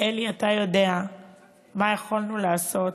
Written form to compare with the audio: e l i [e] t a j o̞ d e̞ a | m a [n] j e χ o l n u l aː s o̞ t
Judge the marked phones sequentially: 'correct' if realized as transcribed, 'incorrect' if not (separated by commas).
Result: incorrect, incorrect